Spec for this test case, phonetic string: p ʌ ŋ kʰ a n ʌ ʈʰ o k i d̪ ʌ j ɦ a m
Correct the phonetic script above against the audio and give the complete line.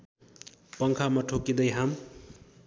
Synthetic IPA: p ʌ ŋ kʰ a m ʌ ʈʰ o k i d̪ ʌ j ɦ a m